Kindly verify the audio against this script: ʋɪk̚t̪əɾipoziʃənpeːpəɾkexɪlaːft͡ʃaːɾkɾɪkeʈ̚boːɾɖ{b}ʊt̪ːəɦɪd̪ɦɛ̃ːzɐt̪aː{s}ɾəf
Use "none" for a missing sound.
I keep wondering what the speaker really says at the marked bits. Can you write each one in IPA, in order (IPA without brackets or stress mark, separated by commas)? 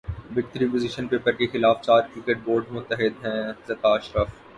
m, ʃ